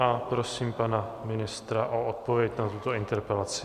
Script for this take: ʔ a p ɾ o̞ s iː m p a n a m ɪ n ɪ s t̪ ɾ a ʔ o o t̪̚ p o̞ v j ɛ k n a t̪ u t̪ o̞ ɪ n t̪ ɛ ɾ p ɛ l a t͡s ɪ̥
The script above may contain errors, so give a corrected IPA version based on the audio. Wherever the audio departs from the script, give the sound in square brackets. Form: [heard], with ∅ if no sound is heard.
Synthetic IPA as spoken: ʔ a p ɾ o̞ s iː m p a n a m ɪ n ɪ s t̪ ɾ a ʔ o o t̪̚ p o̞ v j ɛ [c] n a t̪ u t̪ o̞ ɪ n t̪ ɛ ɾ p ɛ l a t͡s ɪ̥